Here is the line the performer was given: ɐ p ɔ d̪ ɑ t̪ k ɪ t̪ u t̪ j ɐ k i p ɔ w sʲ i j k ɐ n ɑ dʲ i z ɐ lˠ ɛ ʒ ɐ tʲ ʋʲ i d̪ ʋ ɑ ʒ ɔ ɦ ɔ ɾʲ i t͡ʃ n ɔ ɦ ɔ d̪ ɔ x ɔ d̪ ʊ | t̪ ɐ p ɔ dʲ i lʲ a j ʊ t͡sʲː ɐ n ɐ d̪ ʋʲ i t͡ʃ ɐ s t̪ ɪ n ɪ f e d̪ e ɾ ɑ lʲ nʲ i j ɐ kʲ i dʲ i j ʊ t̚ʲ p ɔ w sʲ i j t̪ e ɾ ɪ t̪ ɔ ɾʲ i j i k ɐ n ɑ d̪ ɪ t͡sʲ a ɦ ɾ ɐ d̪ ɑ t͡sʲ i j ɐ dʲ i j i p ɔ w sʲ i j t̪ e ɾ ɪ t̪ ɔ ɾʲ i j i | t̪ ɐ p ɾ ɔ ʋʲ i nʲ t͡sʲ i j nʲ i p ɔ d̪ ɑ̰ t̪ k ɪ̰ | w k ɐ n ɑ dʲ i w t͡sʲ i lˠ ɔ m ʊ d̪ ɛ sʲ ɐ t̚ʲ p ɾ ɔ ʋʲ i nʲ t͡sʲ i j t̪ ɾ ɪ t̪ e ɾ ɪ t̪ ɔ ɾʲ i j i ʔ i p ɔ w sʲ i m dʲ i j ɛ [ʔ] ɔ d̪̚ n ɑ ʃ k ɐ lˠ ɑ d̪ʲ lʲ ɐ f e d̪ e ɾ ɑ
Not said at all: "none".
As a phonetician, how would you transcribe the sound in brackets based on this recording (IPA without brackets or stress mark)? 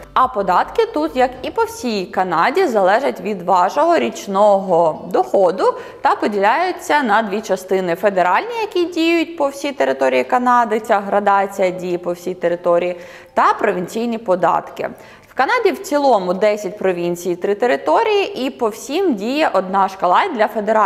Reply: ʔ